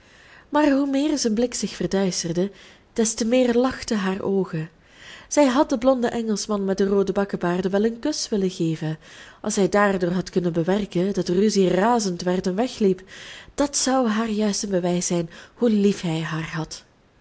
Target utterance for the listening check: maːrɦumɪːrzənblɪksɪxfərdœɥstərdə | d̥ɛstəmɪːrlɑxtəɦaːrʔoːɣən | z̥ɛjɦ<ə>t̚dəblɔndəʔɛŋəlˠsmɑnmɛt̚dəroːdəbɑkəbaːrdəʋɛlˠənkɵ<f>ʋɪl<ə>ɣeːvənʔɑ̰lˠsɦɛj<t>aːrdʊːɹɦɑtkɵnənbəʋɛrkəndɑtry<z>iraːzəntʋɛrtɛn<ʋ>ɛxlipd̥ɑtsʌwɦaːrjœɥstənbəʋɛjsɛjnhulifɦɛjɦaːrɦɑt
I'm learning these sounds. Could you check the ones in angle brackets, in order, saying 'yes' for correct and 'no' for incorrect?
no, no, yes, no, yes, yes

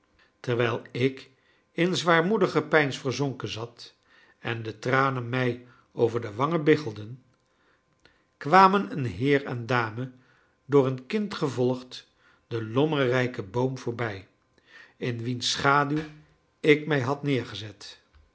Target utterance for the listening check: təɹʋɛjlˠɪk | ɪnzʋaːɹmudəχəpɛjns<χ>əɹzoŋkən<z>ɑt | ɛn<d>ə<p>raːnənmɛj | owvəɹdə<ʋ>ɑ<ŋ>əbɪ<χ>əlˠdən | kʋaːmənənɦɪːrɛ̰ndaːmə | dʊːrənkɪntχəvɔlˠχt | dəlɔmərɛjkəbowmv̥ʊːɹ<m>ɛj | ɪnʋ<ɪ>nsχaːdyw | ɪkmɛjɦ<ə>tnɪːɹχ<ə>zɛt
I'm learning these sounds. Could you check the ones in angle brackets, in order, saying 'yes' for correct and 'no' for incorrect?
no, yes, yes, no, yes, yes, yes, no, no, no, yes

